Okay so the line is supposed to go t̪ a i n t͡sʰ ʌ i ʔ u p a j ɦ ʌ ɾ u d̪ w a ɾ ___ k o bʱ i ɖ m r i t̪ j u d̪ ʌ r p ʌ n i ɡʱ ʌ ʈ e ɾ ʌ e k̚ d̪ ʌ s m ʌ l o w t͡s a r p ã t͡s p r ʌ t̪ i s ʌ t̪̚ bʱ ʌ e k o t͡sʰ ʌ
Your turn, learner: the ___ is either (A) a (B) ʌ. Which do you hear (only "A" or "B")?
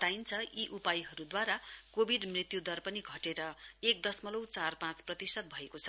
A